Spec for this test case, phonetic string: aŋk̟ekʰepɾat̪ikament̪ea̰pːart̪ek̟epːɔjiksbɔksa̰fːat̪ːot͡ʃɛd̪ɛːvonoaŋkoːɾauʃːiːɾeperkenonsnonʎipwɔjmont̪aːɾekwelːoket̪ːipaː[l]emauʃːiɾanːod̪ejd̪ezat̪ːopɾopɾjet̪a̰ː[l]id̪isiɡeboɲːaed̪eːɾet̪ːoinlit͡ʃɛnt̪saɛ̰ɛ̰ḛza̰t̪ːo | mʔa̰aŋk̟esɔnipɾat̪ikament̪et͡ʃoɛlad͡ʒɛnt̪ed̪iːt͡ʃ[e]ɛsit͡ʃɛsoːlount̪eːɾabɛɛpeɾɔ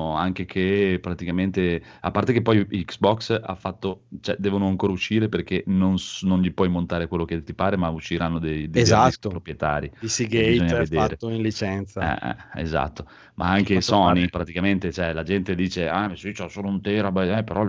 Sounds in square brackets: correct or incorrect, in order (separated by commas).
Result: incorrect, incorrect, correct